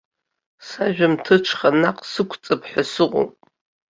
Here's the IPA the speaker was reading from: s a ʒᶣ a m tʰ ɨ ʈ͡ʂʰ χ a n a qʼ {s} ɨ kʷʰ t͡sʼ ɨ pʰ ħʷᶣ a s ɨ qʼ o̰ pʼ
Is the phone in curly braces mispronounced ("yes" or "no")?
no